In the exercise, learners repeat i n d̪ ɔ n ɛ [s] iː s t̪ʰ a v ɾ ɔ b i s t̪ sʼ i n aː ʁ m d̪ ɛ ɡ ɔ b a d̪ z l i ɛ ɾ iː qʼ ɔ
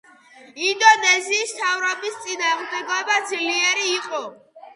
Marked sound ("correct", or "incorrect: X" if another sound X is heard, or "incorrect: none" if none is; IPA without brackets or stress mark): incorrect: z